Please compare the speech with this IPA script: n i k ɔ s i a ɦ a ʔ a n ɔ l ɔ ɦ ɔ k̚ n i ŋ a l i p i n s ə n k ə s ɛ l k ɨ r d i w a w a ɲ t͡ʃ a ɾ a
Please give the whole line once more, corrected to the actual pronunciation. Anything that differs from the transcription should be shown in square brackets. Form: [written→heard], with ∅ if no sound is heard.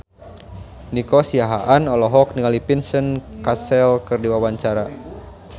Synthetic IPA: n i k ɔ s i a ɦ a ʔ a n ɔ l ɔ ɦ ɔ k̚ n i ŋ a l i p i n s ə n k [ə→a] s ɛ l k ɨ r d i w a w a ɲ t͡ʃ a ɾ a